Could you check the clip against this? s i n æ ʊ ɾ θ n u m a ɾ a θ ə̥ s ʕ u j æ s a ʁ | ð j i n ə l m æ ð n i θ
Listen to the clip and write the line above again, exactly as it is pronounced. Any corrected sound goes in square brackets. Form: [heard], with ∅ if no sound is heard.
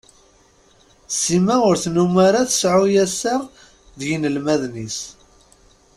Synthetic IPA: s i [m] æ ʊ ɾ θ n u m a ɾ a θ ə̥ s ʕ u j æ s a ʁ | ð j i n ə l m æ ð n i [s]